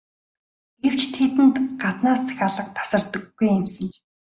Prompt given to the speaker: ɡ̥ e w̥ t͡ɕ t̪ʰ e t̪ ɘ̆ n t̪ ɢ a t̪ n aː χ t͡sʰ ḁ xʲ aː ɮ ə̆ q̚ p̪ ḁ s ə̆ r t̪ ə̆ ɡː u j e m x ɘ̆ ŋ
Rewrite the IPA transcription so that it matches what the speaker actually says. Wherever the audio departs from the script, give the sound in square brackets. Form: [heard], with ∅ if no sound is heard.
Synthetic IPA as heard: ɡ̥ e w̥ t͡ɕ t̪ʰ e t̪ ɘ̆ n t̪ ɢ a t̪ n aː [s] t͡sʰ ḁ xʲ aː ɮ ə̆ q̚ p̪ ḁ s ə̆ r t̪ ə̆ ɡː u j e m [s] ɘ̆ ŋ